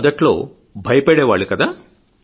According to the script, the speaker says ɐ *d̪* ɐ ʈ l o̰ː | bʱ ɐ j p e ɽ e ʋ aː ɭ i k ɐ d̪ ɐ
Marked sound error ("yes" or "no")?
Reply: no